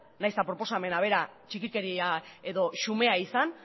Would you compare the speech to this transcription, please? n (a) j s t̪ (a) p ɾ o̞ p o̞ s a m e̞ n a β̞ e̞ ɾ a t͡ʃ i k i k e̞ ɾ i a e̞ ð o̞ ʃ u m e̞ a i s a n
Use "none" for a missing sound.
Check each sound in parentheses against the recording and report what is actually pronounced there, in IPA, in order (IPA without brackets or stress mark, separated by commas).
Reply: a, a